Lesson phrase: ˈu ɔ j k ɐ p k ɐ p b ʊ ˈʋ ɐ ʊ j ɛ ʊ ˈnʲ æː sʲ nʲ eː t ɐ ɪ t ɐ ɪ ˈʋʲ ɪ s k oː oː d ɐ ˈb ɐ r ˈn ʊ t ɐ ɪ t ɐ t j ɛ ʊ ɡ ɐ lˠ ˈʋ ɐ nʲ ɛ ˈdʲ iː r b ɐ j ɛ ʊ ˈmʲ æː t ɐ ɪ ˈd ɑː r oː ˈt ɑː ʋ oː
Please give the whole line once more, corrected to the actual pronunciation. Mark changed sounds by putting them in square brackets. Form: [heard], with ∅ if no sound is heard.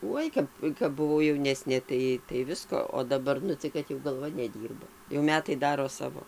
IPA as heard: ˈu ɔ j k ɐ p k ɐ p b ʊ ˈʋ ɐ ʊ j ɛ ʊ ˈnʲ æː sʲ nʲ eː t ɐ ɪ t ɐ ɪ ˈʋʲ ɪ s k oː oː d ɐ ˈb ɐ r ˈn ʊ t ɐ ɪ [k] ɐ t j ɛ ʊ ɡ ɐ lˠ ˈʋ ɐ nʲ ɛ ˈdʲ iː r b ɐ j ɛ ʊ ˈmʲ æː t ɐ ɪ ˈd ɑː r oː [ˈs] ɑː ʋ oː